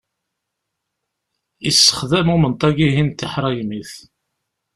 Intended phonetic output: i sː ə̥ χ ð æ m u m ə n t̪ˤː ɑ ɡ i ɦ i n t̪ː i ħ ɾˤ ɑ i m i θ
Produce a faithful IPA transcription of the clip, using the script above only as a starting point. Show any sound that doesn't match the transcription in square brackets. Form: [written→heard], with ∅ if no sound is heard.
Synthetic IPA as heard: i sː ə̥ χ ð æ m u m ə n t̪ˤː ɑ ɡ i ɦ i n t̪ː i ħ ɾˤ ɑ [i→j] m i θ